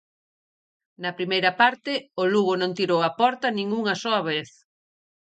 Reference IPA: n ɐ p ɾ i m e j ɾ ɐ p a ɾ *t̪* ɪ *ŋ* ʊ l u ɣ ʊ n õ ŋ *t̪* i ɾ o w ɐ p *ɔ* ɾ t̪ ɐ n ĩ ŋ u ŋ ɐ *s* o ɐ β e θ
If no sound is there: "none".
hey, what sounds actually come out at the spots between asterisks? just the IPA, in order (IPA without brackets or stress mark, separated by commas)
t̪, none, t̪, ɔ, s